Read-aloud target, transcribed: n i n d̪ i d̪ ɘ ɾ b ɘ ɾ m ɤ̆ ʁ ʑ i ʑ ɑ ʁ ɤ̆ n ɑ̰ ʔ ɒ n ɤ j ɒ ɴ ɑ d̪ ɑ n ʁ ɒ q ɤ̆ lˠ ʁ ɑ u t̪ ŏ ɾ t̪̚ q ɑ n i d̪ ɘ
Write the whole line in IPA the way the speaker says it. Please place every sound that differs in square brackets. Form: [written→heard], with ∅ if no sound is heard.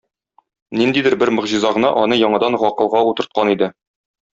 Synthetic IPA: n i n d̪ i d̪ ɘ ɾ b ɘ ɾ m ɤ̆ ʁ ʑ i [ʑ→z] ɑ ʁ ɤ̆ n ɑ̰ ʔ ɒ n ɤ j ɒ ɴ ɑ d̪ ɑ n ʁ ɒ q ɤ̆ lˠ ʁ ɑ u t̪ [ŏ→ɤ̆] ɾ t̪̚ q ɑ n i d̪ ɘ